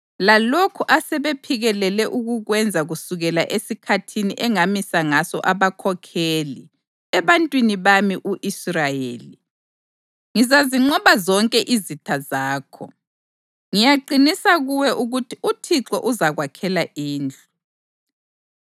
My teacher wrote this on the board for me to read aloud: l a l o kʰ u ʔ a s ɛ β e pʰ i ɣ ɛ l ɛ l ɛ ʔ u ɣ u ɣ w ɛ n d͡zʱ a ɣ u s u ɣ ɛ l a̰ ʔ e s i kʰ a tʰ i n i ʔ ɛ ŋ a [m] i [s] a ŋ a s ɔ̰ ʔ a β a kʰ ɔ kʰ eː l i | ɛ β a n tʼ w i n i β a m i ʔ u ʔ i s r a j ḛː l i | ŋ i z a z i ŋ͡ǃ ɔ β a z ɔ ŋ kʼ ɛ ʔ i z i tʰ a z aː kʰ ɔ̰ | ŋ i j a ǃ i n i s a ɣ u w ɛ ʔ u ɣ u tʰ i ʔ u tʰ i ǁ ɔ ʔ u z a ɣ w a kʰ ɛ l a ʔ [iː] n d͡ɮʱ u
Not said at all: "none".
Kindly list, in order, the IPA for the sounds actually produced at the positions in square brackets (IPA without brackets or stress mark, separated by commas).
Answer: m, s, iː